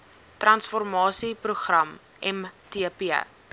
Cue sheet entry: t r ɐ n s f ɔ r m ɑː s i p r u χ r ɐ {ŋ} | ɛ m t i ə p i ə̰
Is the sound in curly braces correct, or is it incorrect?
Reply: incorrect